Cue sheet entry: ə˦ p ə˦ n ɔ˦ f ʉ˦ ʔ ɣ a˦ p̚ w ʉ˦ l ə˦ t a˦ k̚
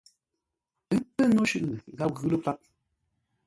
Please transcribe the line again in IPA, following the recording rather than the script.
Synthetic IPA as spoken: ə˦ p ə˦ n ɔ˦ ʃ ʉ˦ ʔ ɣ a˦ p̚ ɣ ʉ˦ l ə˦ p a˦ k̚